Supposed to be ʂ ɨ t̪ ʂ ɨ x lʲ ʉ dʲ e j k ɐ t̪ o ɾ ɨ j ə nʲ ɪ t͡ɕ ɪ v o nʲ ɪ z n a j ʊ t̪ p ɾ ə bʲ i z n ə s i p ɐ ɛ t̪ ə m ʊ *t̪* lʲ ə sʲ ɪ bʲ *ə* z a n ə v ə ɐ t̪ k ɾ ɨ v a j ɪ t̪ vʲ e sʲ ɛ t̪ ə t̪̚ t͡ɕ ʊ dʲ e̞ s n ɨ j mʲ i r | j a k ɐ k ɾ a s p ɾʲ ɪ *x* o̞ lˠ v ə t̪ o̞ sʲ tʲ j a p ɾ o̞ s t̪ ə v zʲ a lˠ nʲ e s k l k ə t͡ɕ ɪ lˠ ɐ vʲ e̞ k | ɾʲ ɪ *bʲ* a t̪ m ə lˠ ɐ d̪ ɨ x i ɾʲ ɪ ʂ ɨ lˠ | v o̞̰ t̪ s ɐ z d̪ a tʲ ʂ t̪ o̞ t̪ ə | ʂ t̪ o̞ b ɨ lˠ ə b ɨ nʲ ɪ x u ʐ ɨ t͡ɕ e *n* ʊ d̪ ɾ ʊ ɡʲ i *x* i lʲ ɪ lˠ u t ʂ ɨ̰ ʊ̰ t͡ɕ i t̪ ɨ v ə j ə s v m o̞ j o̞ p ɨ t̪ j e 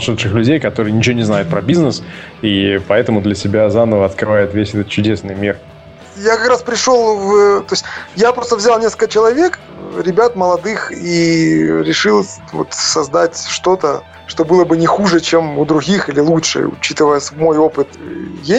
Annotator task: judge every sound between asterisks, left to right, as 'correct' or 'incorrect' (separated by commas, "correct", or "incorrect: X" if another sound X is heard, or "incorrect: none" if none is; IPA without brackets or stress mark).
incorrect: d̪, incorrect: a, incorrect: ʂ, correct, incorrect: m, correct